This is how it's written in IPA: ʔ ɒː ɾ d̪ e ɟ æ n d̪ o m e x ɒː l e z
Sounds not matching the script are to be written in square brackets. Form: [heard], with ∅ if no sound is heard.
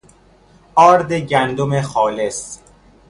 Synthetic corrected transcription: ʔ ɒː ɾ d̪ e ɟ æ n d̪ o m e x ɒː l e [s]